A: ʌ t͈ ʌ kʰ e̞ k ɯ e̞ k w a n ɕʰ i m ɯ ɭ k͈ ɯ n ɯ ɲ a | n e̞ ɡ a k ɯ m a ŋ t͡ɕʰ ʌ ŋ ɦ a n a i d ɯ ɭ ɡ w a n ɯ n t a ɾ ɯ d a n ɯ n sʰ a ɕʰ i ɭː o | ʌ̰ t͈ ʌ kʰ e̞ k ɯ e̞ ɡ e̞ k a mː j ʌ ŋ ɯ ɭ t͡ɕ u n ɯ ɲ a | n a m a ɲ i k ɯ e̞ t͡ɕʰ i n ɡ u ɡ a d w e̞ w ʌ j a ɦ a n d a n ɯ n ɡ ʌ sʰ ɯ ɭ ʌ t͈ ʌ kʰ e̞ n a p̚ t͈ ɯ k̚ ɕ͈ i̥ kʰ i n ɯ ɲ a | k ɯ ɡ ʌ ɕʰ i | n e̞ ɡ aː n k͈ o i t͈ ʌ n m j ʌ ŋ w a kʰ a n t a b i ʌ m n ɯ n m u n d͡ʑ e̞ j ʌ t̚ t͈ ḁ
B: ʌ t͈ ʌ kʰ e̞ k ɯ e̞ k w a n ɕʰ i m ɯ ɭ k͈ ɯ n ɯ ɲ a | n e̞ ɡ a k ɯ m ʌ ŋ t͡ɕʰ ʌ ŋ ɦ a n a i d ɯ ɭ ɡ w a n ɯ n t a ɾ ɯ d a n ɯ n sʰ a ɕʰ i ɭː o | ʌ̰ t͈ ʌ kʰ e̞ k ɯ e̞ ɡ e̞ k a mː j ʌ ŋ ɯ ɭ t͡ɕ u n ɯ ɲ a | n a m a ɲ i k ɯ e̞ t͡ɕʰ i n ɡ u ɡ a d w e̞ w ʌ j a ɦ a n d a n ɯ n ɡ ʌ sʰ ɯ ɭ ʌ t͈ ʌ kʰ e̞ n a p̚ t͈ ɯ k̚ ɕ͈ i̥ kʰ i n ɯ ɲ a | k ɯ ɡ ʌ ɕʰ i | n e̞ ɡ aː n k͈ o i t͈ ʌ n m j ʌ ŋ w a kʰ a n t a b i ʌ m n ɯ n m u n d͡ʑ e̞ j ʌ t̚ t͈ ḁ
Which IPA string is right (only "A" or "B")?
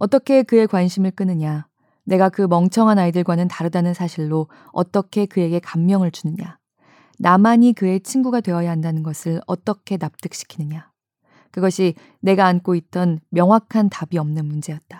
B